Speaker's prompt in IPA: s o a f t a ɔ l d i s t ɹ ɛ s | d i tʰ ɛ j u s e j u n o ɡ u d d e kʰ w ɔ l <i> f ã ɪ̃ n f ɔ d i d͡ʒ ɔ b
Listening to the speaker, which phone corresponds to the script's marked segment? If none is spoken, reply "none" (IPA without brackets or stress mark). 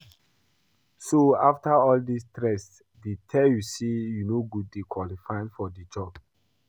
i